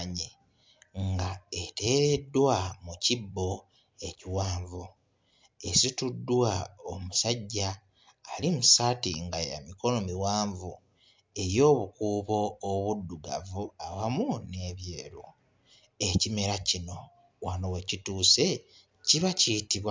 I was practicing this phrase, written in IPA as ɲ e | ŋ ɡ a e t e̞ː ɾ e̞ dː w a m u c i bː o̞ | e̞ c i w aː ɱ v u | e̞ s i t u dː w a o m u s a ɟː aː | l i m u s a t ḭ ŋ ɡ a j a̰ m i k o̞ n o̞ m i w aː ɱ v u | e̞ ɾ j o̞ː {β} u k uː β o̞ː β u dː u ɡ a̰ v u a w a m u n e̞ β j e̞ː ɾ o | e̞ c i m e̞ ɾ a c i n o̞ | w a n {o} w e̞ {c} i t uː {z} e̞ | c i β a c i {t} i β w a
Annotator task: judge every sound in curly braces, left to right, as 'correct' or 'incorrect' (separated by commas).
correct, correct, correct, incorrect, correct